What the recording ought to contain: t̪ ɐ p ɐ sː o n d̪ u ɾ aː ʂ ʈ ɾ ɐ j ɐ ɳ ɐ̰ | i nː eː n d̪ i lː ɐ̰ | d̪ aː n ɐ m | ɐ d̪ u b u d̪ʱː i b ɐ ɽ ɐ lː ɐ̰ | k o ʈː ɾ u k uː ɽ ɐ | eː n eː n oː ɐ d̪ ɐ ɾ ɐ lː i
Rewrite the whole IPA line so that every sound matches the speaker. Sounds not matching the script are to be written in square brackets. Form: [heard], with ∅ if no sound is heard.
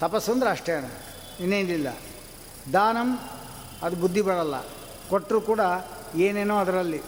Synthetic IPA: t̪ ɐ p ɐ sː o n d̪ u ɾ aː ʂ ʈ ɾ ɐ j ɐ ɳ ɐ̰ | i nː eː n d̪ i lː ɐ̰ | d̪ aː n ɐ m | ɐ d̪ u b u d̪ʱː i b ɐ ɽ ɐ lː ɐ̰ | k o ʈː ɾ u k uː ɽ ɐ | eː n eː n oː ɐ d̪ ɐ ɾ ɐ lː i